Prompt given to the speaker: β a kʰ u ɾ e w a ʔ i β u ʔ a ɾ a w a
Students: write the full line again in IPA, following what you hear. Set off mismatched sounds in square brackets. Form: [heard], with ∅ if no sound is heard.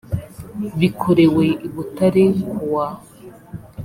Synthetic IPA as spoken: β [i] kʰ [o] ɾ e w [e] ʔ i β u [t] a ɾ [e] w a